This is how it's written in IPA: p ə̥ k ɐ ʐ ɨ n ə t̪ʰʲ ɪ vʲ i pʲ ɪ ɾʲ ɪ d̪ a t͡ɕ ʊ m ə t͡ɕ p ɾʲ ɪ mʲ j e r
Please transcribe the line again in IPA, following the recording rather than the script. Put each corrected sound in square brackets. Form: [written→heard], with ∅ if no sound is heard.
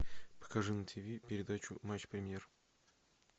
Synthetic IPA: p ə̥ k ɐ ʐ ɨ n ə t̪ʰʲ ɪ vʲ i pʲ ɪ ɾʲ ɪ d̪ a t͡ɕ ʊ m [ə→a] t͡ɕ p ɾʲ ɪ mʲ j e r

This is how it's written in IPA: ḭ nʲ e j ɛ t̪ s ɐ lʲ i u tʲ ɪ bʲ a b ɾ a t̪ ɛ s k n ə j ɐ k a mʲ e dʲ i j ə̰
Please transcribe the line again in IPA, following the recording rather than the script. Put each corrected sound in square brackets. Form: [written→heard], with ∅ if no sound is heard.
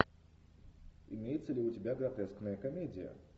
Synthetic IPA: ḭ [nʲ→mʲ] e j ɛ t̪ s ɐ lʲ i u tʲ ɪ bʲ a [b→ɡ] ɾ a t̪ ɛ s k n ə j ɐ k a mʲ e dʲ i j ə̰

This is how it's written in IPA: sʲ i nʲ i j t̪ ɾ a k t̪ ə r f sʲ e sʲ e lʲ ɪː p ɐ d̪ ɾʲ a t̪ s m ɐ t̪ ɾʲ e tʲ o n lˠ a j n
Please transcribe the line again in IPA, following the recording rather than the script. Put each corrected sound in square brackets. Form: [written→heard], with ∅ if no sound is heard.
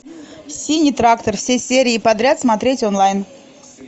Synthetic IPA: sʲ i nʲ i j t̪ ɾ a k t̪ ə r f sʲ e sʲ e [lʲ→ɾʲ] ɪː p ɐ d̪ ɾʲ a t̪ s m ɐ t̪ ɾʲ e tʲ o n lˠ a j n

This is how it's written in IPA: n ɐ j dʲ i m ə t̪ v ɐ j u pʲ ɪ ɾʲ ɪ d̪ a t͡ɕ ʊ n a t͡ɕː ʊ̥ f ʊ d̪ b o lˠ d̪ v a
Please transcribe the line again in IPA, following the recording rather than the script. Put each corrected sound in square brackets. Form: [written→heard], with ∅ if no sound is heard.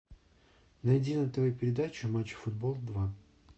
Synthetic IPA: n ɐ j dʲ i [m→n] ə t̪ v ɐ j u pʲ ɪ ɾʲ ɪ d̪ a t͡ɕ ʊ [n→m] a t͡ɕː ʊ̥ f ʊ d̪ b o lˠ d̪ v a

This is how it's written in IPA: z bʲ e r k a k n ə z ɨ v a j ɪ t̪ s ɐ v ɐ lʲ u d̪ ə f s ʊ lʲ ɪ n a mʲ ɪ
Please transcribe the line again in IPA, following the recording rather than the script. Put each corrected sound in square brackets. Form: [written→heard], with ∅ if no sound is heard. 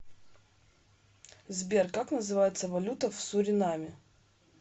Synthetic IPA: z bʲ e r k a k n ə z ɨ v a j ɪ t̪ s [ɐ→ə] v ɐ lʲ u [d̪→t̪] ə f s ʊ [lʲ→ɾʲ] ɪ n a mʲ ɪ

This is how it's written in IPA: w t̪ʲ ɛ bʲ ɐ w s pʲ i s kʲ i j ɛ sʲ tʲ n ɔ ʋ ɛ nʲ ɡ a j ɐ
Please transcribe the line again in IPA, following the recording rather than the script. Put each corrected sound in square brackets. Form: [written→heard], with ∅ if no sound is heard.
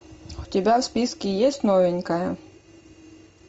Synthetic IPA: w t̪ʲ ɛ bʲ [ɐ→a] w s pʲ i s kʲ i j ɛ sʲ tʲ n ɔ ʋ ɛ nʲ [ɡ→k] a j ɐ

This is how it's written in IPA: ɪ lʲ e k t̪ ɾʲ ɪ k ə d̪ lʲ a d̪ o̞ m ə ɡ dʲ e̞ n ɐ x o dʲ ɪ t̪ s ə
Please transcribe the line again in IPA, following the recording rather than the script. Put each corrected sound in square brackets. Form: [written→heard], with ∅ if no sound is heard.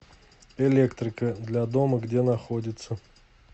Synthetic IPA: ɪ lʲ e k t̪ ɾʲ ɪ k ə d̪ lʲ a d̪ o̞ m ə ɡ dʲ e̞ n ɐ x o dʲ ɪ t̪ s ə

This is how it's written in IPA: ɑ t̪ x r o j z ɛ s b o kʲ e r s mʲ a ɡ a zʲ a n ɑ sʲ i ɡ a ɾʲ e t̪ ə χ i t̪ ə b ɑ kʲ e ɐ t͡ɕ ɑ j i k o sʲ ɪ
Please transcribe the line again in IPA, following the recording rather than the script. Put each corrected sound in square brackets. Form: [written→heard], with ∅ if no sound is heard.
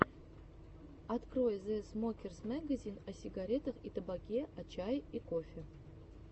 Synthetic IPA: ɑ t̪ [x→k] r o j z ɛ s [b→m] o kʲ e r s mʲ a ɡ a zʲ [a→i] n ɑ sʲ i ɡ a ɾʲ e t̪ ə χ i t̪ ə b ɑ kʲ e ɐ t͡ɕ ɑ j i k o [sʲ→fʲ] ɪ

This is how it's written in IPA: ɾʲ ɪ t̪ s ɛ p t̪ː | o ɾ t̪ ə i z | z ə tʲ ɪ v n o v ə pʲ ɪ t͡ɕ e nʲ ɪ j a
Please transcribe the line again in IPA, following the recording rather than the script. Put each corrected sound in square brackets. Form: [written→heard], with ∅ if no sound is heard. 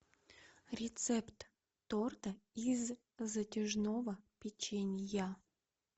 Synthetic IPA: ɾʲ ɪ t̪ s ɛ p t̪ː | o [ɾ→r] t̪ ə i z | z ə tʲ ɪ [v→ʐ] n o v ə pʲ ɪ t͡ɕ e nʲ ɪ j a

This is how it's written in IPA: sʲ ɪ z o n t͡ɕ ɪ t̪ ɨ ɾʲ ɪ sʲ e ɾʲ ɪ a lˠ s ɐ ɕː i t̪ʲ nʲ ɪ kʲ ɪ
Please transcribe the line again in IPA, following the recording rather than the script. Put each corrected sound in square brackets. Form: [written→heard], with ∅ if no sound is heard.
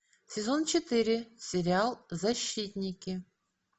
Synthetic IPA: sʲ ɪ z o n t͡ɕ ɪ t̪ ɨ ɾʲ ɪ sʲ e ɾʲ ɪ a lˠ [s→z] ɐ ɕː i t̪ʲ nʲ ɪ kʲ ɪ

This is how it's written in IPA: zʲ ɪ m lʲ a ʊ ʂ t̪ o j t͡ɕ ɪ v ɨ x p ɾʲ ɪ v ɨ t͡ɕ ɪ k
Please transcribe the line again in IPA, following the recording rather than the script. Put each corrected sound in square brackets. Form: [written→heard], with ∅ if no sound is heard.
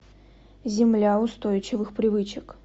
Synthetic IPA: zʲ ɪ m lʲ a ʊ [ʂ→s] t̪ o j t͡ɕ ɪ v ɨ x p ɾʲ ɪ v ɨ t͡ɕ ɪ k

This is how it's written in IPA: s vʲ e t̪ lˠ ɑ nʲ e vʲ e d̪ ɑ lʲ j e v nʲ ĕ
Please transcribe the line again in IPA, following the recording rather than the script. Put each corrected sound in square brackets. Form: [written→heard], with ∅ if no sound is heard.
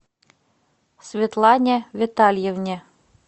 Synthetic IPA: s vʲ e t̪ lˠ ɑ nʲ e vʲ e [d̪→t̪] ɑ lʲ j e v nʲ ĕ

